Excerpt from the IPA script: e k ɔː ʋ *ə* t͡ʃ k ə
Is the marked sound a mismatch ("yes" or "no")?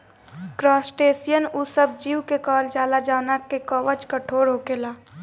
no